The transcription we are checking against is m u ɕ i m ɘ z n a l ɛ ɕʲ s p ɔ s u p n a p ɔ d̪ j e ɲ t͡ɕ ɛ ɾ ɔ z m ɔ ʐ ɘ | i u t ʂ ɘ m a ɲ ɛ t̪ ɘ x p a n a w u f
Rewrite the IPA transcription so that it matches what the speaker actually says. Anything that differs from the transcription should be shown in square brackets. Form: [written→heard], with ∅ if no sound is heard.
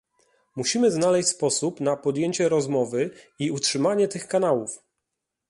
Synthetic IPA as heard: m u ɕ i m ɘ z n a l ɛ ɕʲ s p ɔ s u p n a p ɔ d̪ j e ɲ t͡ɕ ɛ ɾ ɔ z m ɔ [ʐ→v] ɘ | i u t ʂ ɘ m a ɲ ɛ t̪ ɘ x [p→k] a n a w u f